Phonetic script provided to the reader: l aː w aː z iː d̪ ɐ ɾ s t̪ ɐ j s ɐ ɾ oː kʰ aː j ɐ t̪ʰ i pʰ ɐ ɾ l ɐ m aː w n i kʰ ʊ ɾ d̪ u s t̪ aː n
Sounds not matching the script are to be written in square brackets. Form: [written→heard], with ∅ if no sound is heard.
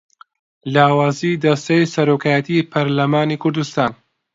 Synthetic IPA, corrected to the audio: l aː w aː z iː d̪ ɐ [ɾ→∅] s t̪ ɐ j s ɐ ɾ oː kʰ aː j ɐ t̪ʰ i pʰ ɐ ɾ l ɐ m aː [w→∅] n i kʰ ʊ ɾ d̪ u s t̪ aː n